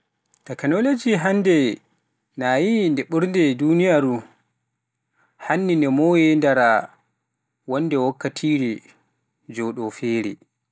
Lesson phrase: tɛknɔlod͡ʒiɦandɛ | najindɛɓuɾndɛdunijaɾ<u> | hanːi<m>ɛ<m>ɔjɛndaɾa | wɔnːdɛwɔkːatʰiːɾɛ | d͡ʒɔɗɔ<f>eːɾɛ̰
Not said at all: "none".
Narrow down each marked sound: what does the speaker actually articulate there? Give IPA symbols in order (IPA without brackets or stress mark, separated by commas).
u, n, m, f